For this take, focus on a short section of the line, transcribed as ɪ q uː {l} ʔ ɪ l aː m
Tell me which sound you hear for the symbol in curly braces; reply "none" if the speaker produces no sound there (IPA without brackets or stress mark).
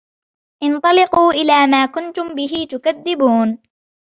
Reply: none